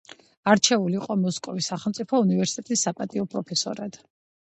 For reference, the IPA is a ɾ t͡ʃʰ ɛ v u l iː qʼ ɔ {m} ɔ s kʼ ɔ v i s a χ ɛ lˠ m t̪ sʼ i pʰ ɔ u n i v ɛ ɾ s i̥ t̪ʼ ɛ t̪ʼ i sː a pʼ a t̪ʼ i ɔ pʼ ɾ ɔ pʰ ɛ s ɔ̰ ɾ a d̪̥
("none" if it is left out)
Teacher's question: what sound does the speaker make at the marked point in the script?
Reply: m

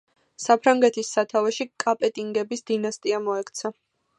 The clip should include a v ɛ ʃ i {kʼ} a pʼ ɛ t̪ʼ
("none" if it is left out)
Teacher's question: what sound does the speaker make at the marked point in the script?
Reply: kʼ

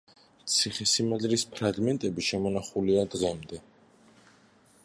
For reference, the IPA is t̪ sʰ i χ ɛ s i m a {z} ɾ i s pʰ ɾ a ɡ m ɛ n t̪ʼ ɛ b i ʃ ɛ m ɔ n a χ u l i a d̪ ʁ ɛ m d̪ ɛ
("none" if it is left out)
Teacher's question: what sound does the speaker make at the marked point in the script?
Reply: z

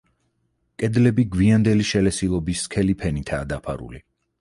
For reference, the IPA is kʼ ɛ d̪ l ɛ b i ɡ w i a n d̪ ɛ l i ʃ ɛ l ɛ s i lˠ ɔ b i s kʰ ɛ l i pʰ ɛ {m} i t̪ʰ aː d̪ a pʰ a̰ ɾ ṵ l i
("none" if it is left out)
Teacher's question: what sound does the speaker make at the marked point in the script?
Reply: n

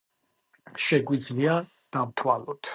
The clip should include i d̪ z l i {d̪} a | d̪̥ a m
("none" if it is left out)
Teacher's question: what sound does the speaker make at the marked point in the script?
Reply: none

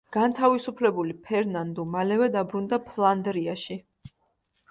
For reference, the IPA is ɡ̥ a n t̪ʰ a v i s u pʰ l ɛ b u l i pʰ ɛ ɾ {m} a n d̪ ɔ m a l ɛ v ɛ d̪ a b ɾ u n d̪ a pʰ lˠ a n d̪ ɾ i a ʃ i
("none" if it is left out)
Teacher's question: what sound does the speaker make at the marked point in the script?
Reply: n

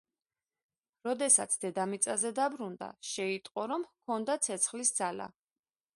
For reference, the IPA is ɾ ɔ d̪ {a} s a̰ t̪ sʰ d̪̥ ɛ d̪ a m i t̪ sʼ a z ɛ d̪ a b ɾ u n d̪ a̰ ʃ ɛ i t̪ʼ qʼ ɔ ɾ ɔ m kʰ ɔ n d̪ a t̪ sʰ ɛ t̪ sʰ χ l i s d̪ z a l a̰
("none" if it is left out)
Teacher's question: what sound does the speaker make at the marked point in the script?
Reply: ɛ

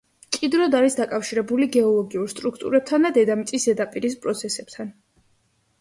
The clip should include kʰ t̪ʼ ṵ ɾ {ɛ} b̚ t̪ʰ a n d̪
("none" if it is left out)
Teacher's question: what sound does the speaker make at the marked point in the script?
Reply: ɛ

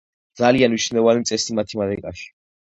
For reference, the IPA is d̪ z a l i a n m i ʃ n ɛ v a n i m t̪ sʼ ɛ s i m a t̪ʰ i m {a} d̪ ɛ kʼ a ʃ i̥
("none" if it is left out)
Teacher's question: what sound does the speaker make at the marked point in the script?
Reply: a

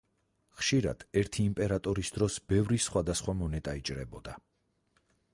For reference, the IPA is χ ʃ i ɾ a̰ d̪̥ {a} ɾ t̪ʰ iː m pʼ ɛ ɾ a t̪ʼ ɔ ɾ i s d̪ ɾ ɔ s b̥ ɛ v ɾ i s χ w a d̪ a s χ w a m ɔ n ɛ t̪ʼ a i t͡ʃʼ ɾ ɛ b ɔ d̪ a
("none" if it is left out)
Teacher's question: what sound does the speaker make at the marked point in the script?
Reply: ɛ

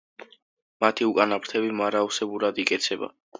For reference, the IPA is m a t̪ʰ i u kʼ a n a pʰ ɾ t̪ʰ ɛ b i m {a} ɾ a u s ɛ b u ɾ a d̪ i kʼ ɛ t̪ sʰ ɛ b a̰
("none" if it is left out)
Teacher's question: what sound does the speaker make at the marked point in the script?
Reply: a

